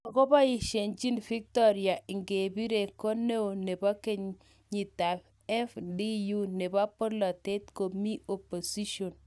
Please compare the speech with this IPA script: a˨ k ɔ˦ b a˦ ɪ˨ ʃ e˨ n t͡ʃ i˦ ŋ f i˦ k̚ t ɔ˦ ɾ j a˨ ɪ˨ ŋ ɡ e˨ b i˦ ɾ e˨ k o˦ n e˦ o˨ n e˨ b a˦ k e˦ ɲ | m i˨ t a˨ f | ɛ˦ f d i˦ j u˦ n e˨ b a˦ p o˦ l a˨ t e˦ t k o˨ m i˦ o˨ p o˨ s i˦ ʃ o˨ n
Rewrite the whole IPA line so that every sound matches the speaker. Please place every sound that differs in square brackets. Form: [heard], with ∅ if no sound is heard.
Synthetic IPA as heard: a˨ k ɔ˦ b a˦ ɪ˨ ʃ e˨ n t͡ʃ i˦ [n] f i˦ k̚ t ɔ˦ ɾ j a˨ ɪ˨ ŋ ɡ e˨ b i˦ ɾ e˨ k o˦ n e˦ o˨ n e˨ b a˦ k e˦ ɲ | [ɲ] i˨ t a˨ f | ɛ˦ f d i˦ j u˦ n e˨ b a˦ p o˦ l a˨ t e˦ t k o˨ m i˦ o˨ p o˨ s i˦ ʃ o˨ n

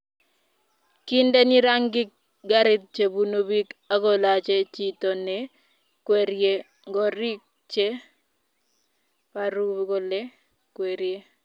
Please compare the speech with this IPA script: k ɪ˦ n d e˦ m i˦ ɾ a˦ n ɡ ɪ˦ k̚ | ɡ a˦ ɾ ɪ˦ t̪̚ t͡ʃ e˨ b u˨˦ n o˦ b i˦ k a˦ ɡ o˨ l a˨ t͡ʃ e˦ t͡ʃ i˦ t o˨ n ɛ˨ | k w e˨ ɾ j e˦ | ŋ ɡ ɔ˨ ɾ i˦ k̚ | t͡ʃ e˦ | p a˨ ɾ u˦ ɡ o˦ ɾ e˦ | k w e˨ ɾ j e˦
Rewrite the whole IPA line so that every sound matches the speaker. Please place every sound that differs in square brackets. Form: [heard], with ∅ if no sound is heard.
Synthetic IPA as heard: k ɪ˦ n d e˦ [n] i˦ ɾ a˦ [ŋ] ɡ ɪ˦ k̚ | ɡ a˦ ɾ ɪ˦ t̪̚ t͡ʃ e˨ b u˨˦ n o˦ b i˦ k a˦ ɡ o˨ l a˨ t͡ʃ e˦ t͡ʃ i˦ t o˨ n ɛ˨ | k w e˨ ɾ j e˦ | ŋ ɡ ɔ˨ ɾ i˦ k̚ | t͡ʃ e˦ | p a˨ ɾ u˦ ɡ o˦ [l] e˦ | k w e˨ ɾ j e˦

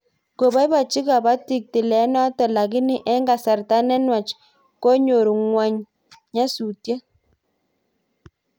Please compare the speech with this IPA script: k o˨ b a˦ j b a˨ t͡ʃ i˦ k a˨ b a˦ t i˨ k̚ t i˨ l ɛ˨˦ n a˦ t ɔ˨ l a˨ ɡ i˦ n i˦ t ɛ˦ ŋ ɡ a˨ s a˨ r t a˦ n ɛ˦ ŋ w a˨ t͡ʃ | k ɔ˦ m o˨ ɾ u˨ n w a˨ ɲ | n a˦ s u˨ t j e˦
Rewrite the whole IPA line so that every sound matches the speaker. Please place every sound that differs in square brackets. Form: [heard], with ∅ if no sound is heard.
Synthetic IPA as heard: k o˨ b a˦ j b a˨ t͡ʃ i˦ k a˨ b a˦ t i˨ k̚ t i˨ l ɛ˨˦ n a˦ t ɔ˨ l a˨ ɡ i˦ n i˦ [ʔ] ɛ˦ ŋ ɡ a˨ s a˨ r t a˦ n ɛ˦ [n] w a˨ t͡ʃ | k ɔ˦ [ɲ] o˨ ɾ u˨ [ŋ] w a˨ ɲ | [ɲ] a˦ s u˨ t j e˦

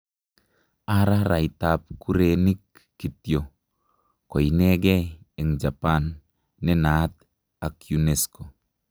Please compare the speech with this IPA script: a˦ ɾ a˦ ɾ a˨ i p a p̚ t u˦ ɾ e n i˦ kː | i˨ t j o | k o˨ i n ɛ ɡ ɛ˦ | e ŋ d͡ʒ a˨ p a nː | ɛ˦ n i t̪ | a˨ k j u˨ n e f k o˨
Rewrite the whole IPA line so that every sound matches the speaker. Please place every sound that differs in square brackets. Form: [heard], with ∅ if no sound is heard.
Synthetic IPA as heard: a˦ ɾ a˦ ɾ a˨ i [t] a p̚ [k] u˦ ɾ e n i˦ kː | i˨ t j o | k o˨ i n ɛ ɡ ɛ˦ | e ŋ d͡ʒ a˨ p a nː | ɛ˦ n [a] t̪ | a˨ k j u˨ n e [s] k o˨

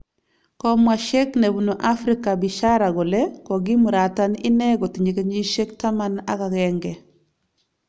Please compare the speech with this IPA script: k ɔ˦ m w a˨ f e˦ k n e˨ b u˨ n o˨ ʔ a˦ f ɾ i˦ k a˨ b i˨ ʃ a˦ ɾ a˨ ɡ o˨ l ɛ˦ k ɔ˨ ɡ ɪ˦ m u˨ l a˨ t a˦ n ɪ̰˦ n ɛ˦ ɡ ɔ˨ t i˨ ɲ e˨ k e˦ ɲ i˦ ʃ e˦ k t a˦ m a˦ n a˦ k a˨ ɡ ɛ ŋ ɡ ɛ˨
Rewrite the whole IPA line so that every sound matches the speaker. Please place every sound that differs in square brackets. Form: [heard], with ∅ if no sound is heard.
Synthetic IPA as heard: k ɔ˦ m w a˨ [ʃ] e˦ k n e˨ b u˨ n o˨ ʔ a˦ f ɾ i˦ k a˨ b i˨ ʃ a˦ ɾ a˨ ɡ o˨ l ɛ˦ k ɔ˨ ɡ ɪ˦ m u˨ [ɾ] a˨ t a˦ n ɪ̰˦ n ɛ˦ ɡ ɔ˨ t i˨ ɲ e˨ k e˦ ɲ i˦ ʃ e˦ k t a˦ m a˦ n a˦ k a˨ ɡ ɛ ŋ ɡ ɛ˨

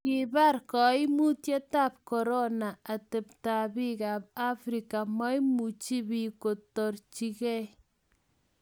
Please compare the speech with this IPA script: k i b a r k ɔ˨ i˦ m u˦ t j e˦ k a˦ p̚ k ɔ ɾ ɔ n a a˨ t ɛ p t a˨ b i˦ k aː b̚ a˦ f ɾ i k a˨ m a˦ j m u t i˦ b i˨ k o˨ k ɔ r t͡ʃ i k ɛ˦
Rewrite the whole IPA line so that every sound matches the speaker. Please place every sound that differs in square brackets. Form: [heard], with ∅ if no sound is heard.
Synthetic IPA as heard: k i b a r k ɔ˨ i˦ m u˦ t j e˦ [t] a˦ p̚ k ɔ ɾ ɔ n a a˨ t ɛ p t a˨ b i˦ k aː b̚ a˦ f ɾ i k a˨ m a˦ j m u [t͡ʃ] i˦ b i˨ k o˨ [t] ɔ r t͡ʃ i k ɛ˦

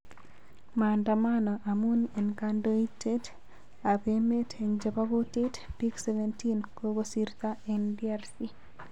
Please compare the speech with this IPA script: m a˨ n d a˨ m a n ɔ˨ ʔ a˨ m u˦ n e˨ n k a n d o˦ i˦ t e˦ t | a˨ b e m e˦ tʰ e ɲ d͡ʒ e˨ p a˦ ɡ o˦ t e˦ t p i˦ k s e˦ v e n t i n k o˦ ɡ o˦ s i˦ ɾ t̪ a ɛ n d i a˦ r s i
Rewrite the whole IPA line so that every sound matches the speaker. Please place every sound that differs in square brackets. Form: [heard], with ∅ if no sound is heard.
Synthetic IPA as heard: m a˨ n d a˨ m a n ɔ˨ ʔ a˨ m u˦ n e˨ n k a n d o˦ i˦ t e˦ t | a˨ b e m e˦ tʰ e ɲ d͡ʒ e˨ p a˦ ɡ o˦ t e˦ t p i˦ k s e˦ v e n t i n k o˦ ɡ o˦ s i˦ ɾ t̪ a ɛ n d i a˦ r s i

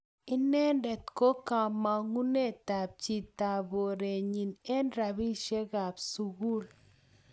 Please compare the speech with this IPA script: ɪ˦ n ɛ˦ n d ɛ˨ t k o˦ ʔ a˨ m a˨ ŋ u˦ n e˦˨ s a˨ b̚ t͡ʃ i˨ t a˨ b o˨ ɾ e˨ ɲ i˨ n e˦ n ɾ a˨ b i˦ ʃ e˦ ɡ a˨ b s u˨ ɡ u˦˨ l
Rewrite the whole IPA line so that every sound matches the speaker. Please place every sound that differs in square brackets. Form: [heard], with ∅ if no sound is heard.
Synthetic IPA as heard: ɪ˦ n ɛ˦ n d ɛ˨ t k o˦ [k] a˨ m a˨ ŋ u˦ n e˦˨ [t] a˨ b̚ t͡ʃ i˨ t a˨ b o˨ ɾ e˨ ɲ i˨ n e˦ n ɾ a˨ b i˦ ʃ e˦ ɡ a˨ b s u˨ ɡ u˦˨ l

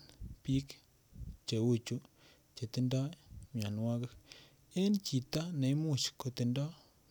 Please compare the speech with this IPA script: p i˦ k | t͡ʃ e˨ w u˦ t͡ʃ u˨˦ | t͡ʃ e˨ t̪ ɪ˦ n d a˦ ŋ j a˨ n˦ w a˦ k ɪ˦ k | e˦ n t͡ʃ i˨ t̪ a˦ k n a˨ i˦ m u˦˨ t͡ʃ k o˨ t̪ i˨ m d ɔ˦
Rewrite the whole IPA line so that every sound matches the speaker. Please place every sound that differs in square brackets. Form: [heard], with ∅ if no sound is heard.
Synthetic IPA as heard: p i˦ k | t͡ʃ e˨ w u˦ t͡ʃ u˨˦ | t͡ʃ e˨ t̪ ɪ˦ n d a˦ [m] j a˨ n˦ w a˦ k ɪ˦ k | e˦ n t͡ʃ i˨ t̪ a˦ [∅] n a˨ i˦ m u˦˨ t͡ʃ k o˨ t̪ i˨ [n] d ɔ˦

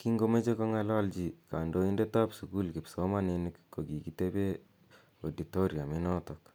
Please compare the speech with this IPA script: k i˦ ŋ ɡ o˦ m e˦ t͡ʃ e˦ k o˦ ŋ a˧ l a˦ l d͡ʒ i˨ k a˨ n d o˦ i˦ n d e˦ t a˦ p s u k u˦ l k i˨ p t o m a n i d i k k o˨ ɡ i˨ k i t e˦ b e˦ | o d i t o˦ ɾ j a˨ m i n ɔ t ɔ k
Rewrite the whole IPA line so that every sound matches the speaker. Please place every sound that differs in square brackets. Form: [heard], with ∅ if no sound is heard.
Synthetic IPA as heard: k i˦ ŋ ɡ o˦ m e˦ t͡ʃ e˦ k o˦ ŋ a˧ l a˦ l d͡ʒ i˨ k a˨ n d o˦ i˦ n d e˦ t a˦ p s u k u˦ l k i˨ p [s] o m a n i [n] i k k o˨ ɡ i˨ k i t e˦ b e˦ | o d i t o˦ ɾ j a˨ m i n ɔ t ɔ k

